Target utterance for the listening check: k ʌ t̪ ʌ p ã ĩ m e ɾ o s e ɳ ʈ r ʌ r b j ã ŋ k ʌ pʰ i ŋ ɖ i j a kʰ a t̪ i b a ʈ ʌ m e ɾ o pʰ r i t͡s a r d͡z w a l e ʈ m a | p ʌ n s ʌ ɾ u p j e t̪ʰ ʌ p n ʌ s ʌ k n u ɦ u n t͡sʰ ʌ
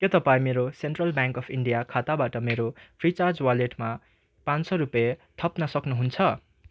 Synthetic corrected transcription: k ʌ t̪ ʌ p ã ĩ m e ɾ o s e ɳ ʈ r ʌ l b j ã ŋ k ʌ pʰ i ɳ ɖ i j a kʰ a t̪ a b a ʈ ʌ m e ɾ o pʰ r i t͡s a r d͡z w a l e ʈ m a | p a n s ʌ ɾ u p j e t̪ʰ ʌ p n ʌ s ʌ k n u ɦ u n t͡sʰ ʌ